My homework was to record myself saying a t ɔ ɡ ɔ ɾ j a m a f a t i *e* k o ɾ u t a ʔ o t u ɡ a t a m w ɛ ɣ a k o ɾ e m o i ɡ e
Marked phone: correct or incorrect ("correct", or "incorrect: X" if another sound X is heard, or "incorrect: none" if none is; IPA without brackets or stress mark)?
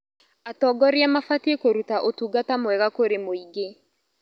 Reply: correct